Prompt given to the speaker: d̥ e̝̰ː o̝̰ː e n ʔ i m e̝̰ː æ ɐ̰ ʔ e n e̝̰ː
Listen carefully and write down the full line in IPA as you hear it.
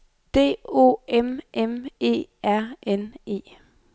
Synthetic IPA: d̥ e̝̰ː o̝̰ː e m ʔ e m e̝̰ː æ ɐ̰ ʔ e n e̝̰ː